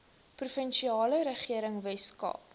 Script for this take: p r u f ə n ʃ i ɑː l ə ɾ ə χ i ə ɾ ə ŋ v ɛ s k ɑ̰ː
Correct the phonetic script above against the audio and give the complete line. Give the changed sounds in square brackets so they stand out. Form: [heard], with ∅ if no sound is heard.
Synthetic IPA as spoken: p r u f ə n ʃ i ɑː l ə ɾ ə χ i ə ɾ ə ŋ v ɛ s k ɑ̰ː